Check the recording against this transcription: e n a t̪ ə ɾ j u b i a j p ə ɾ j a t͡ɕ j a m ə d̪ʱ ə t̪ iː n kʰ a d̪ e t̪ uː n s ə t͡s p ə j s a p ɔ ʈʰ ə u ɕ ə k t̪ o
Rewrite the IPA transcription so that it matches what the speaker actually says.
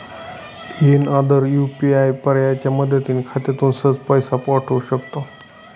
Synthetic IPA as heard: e n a d̪ ə ɾ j u p i a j p ə ɾ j a t͡ɕ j a m ə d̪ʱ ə t̪ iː n kʰ a t̪ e t̪ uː n s ə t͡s p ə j s a p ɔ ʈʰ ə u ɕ ə k t̪ o